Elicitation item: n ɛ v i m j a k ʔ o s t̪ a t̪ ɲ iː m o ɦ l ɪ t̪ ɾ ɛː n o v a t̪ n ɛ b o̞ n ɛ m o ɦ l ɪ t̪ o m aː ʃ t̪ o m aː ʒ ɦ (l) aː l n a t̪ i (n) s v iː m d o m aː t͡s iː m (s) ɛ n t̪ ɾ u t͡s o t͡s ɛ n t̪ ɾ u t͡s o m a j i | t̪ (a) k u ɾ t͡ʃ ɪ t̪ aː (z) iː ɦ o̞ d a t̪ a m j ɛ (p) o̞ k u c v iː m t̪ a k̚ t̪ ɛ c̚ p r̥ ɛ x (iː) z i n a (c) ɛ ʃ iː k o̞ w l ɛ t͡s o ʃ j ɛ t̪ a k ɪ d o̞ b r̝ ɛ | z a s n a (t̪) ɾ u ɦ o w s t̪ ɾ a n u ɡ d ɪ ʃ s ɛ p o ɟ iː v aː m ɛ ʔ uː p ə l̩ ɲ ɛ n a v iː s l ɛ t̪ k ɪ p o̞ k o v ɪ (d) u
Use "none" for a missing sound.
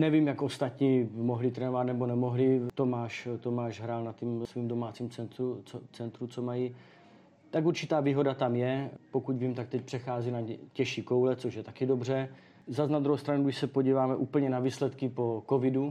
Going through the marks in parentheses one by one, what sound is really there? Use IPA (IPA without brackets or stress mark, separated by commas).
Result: ɾ, m, t͡s, a, v, p, aː, c, d̪, d